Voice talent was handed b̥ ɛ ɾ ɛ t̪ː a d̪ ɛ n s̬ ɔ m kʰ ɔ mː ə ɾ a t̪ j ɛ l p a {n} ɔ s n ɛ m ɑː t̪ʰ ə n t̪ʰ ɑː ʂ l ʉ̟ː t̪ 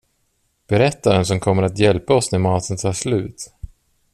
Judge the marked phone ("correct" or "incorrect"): incorrect